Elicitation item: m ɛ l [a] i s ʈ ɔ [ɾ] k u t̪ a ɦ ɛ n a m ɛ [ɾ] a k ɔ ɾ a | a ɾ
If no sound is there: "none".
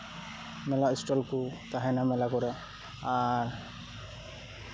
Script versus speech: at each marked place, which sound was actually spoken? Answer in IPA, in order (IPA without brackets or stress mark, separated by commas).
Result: a, l, l